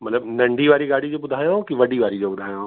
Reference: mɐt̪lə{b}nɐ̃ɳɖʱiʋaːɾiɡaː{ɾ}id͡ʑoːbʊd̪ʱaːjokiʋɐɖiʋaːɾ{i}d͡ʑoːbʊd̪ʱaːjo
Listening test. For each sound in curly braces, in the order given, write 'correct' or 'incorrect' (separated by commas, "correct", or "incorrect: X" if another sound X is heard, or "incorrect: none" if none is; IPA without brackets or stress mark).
correct, incorrect: ɽ, correct